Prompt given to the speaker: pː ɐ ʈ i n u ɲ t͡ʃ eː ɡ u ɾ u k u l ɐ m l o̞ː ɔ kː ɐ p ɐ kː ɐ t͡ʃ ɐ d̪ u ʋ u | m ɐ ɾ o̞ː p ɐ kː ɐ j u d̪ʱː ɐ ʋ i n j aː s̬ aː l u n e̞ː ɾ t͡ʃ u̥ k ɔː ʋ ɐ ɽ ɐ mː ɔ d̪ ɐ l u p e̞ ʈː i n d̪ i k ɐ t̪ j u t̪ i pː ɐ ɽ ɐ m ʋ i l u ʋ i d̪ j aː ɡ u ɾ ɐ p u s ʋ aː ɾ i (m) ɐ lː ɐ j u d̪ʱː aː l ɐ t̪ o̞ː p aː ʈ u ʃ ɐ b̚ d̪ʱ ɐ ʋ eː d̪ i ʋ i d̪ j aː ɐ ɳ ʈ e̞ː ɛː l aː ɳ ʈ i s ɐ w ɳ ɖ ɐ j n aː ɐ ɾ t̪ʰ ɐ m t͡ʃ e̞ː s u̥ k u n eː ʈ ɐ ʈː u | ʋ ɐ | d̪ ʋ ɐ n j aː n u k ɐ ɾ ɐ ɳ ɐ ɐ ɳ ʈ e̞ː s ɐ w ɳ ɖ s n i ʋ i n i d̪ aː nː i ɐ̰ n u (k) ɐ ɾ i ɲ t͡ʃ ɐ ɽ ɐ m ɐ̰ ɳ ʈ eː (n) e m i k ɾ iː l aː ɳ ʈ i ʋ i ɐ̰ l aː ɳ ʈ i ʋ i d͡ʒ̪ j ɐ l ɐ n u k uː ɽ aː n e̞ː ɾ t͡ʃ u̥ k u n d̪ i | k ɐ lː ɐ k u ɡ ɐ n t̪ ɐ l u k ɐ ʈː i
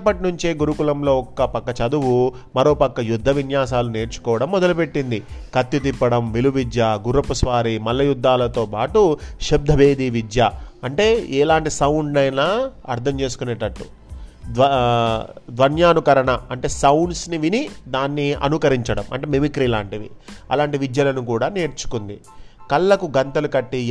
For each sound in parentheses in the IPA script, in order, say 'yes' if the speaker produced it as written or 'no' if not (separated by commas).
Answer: yes, yes, no